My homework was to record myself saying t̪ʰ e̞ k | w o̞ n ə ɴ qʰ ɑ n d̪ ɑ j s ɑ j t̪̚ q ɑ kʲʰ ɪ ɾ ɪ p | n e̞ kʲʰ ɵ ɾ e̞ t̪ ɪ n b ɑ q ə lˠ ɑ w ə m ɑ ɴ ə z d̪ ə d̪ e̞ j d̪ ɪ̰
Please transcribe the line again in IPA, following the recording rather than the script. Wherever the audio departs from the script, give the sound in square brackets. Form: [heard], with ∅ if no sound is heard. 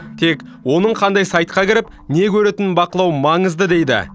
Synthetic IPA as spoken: t̪ʰ e̞ k | w o̞ n ə ɴ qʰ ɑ n d̪ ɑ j s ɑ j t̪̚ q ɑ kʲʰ ɪ ɾ ɪ p | n e̞ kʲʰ ɵ ɾ e̞ t̪ ɪ n b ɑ q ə lˠ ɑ w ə m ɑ ɴ ə z d̪ ə d̪ e̞ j d̪ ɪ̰